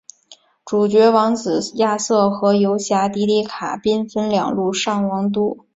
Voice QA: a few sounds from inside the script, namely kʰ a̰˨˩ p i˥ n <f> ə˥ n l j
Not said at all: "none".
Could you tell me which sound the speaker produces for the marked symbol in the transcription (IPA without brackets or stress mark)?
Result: f